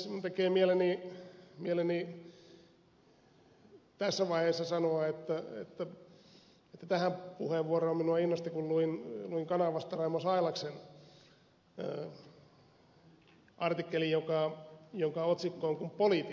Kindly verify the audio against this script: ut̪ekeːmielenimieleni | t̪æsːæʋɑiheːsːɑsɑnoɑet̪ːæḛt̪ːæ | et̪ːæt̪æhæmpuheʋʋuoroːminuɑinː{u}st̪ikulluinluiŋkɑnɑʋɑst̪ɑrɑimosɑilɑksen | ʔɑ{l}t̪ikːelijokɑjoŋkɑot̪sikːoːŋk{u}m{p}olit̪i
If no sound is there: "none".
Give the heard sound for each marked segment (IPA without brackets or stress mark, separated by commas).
o, r, u, p